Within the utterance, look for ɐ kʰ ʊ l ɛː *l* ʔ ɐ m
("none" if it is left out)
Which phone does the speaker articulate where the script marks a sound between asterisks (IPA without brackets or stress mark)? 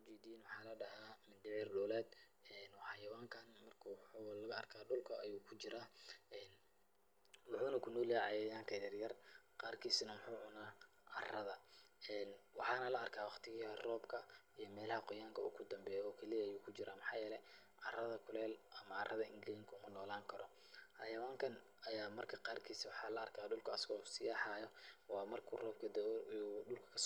l